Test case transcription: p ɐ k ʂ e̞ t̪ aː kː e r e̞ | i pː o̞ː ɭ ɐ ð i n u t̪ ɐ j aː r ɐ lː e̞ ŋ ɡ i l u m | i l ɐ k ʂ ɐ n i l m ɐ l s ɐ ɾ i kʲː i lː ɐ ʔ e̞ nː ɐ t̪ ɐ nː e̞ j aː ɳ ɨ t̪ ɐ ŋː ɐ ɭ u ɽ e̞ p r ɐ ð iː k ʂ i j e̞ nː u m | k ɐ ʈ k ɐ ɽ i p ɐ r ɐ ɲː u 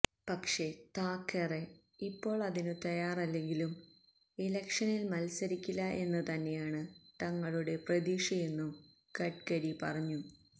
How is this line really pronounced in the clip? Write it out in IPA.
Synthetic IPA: p ɐ k ʂ e̞ t̪ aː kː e r e̞ | i pː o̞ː ɭ ɐ ð i n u t̪ ɐ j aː r ɐ lː e̞ ŋ ɡ i l u m | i l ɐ k ʂ ɐ n i l m ɐ l s ɐ ɾ i kʲː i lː ɐ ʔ e̞ nː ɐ t̪ ɐ nː e̞ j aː ɳ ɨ t̪ ɐ ŋː ɐ ɭ u ɽ e̞ p r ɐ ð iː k ʂ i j e̞ nː u m | k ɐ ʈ k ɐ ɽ i p ɐ r ɐ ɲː u